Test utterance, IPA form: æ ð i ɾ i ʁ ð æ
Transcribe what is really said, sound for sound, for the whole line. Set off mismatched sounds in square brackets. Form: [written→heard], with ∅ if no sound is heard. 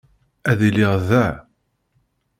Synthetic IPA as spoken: æ ð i [ɾ→l] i ʁ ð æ